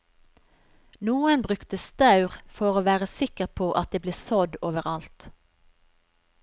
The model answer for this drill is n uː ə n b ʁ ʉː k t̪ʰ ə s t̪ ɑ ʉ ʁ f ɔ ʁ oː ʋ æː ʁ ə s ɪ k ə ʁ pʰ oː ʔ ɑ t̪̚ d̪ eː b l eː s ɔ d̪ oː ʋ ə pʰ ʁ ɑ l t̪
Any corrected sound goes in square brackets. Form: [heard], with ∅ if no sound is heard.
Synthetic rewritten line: n uː ə n b ʁ [ʉ] k [t̪] ə s t̪ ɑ ʉ ʁ f ɔ ʁ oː ʋ æː ʁ ə s ɪ k ə ʁ pʰ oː ʔ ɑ t̪̚ d̪ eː b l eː s ɔ d̪ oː ʋ ə [∅] ʁ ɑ l t̪